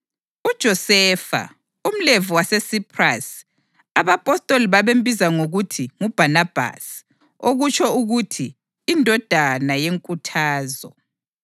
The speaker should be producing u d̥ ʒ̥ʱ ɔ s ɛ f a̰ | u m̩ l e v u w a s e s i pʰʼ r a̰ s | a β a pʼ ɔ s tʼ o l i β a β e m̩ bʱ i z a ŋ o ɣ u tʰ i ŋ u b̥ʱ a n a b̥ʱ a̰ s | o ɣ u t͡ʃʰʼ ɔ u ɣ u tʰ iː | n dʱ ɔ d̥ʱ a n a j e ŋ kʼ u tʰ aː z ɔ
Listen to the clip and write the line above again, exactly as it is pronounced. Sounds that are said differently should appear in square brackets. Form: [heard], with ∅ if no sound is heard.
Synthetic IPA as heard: u d̥ ʒ̥ʱ ɔ s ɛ f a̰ | u m̩ l e v u w a s e s i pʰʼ r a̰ s | a β a pʼ ɔ s tʼ o l i β a β e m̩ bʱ i z a ŋ o ɣ u tʰ i ŋ u b̥ʱ a n a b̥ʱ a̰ s | o ɣ u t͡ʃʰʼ ɔ u ɣ u tʰ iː | n dʱ ɔ d̥ʱ a n a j e ŋ kʼ u tʰ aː z ɔ